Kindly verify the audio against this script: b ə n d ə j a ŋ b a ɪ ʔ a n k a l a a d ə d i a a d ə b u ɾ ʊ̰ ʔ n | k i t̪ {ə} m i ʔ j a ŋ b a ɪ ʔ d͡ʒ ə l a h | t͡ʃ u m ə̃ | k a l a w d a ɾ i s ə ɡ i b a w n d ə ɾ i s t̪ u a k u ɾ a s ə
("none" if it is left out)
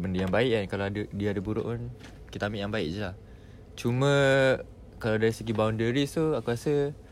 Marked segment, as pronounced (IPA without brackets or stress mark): a